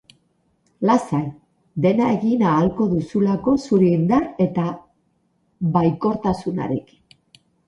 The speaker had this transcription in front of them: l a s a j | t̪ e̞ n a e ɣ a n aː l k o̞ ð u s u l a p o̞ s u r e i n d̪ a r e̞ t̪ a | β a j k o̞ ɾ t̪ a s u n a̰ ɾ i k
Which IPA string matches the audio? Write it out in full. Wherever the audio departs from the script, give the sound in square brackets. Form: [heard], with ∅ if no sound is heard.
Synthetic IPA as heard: l a s a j | [d̪] e̞ n a e ɣ [i] n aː l k o̞ ð u s u l a [k] o̞ s u [ɾ] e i n d̪ a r e̞ t̪ a | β a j k o̞ ɾ t̪ a s u n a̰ ɾ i k